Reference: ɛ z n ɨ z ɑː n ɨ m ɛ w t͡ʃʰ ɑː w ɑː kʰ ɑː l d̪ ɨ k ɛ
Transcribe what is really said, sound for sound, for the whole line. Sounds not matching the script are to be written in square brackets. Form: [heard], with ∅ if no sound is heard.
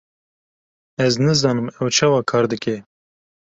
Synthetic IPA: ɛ z n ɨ z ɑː n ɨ m ɛ w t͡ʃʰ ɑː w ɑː kʰ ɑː [ɾ] d̪ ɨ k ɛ